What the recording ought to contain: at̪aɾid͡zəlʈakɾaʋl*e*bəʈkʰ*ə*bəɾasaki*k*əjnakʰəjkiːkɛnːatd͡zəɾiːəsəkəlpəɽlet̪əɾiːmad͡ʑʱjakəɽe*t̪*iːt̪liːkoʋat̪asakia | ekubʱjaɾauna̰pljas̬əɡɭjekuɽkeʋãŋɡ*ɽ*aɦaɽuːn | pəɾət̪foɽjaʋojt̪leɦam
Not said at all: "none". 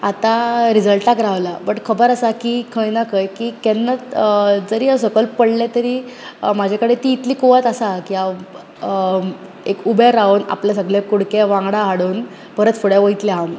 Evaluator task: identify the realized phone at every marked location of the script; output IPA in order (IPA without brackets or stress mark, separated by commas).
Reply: a, ə, kʰ, t̪, ɽ